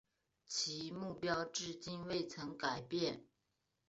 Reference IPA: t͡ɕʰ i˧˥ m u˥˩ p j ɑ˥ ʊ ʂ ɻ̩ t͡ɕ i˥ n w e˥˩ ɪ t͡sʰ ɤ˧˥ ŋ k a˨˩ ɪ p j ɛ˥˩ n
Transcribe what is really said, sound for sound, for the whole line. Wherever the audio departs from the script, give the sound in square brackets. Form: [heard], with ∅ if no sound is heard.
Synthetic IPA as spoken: t͡ɕʰ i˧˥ m u˥˩ p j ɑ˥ ʊ [ʈ͡ʂ] ɻ̩ t͡ɕ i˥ n w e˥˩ ɪ t͡sʰ ɤ˧˥ ŋ k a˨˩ ɪ p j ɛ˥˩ n